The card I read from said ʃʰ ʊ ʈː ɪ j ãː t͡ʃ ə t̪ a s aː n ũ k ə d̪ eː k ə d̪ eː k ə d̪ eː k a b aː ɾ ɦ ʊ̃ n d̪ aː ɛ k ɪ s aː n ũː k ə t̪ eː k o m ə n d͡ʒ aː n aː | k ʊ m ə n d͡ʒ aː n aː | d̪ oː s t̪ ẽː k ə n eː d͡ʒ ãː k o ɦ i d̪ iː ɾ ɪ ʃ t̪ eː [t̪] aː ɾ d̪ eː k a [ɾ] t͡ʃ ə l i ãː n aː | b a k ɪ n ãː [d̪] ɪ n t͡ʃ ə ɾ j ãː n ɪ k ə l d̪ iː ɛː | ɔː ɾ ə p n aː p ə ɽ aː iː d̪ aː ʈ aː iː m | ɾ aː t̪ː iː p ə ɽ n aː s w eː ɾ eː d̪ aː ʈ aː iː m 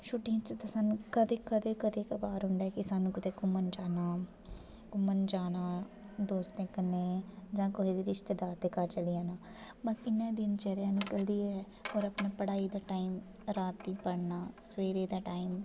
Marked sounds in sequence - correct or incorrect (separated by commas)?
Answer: incorrect, correct, correct